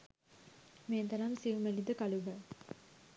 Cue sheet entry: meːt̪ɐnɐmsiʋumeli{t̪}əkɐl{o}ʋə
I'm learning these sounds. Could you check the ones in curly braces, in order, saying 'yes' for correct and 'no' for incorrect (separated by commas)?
no, no